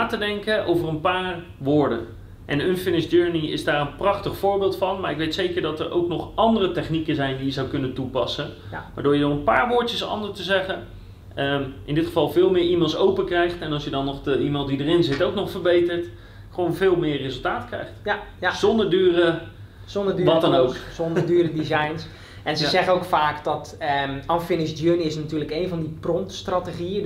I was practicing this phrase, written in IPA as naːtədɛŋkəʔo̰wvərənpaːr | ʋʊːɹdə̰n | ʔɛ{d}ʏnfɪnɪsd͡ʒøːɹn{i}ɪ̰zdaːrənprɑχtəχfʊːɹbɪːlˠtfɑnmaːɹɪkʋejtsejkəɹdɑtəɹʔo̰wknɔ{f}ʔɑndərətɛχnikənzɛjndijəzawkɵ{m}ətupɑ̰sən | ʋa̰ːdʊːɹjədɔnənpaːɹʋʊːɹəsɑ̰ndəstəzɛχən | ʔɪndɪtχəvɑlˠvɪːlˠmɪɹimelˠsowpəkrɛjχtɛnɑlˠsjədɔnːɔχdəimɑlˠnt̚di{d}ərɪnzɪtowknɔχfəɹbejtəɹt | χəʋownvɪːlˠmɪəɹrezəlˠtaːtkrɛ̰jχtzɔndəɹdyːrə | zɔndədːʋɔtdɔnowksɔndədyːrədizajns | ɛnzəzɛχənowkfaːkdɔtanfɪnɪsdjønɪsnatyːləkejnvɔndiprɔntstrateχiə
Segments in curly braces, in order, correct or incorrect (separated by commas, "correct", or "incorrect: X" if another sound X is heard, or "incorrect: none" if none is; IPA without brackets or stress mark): incorrect: n, correct, incorrect: χ, incorrect: n, correct